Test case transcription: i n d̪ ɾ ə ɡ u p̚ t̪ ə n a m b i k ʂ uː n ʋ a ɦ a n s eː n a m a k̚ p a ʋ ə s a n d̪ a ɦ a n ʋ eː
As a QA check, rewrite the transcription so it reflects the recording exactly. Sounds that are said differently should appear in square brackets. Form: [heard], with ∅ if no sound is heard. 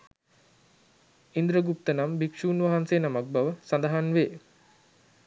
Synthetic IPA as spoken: i n d̪ ɾ ə ɡ u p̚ t̪ ə n a m b i k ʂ uː n ʋ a ɦ a n s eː n a m a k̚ [b] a ʋ ə s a n d̪ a ɦ a n ʋ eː